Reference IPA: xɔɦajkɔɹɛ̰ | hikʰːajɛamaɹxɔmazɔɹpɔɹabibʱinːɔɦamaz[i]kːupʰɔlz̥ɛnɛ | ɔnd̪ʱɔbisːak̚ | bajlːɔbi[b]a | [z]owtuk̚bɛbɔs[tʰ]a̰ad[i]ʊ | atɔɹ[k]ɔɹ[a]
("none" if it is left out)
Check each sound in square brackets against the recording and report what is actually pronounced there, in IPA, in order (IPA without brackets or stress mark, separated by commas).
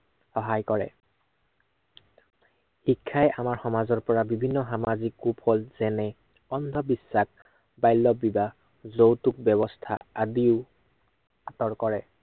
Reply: i, b, z, tʰ, i, k, ɛ